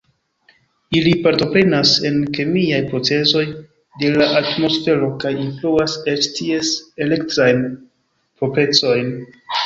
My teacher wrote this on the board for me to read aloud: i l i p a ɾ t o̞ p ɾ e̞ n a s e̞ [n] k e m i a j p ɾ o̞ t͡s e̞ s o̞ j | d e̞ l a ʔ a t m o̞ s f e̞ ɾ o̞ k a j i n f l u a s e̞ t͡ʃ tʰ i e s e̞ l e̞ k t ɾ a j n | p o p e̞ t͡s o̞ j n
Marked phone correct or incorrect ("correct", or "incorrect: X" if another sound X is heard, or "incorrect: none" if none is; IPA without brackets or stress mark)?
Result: correct